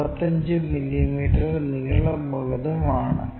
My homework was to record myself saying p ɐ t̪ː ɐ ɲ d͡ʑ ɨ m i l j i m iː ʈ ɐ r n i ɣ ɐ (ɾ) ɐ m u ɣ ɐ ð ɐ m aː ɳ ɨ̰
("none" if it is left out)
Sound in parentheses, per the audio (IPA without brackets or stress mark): ɭ